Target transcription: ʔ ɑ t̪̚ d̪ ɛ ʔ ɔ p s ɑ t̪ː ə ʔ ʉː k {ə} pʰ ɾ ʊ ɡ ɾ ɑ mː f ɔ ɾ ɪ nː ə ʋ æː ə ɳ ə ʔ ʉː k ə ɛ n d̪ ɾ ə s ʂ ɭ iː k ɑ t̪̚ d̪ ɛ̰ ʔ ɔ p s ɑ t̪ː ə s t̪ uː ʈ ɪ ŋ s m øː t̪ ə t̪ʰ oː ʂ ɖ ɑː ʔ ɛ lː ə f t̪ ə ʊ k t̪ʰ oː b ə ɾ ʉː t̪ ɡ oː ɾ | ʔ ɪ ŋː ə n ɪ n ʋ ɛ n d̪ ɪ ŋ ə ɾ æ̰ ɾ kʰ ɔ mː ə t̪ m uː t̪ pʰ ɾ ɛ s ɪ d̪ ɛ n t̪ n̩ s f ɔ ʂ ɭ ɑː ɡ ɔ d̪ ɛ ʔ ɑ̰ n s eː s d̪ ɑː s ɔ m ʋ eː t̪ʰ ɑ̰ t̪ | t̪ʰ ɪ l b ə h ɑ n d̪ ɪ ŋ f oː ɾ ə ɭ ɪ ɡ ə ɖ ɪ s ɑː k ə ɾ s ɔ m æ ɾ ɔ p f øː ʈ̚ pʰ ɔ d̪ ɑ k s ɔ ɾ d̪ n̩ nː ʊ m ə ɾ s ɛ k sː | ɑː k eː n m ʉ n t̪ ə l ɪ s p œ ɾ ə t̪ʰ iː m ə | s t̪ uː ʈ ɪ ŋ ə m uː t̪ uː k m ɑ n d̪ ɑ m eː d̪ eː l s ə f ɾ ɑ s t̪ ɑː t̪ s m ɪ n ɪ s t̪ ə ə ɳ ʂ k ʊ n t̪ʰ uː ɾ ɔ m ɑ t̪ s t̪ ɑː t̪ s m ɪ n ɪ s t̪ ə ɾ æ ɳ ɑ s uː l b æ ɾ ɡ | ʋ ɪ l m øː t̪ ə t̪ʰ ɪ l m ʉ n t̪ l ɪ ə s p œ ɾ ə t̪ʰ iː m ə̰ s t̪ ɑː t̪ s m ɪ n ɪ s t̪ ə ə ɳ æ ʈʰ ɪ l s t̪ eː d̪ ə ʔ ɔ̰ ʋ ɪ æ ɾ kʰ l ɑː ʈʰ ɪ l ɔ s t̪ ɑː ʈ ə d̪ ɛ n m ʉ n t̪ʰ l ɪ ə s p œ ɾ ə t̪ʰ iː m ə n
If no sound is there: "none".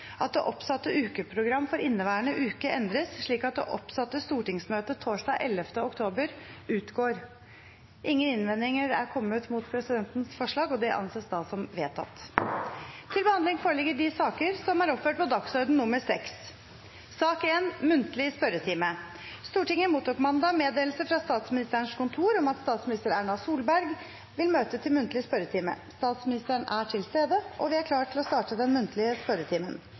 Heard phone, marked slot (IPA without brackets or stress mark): ə